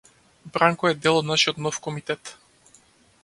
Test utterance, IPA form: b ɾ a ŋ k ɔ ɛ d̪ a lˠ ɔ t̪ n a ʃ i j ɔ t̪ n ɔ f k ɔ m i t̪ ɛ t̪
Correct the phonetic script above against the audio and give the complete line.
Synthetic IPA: b ɾ a ŋ k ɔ ɛ d̪ ɛ lˠ ɔ d̪ n a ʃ i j ɔ t̪ n ɔ f k ɔ m i t̪ ɛ t̪